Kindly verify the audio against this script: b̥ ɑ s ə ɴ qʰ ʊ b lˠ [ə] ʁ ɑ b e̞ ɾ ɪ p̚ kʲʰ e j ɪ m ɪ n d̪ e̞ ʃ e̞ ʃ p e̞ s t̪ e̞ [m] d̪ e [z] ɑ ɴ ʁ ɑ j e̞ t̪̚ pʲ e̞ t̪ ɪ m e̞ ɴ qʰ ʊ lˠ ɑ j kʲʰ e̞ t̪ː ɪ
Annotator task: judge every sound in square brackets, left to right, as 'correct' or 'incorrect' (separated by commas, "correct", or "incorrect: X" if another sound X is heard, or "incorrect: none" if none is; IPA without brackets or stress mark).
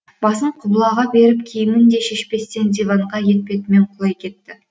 incorrect: ɑ, incorrect: n, incorrect: v